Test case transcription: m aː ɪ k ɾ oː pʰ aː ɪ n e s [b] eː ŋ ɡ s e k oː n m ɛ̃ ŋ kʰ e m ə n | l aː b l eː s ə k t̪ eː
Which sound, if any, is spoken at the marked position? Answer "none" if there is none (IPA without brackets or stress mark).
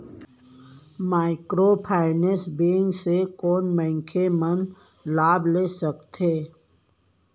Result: b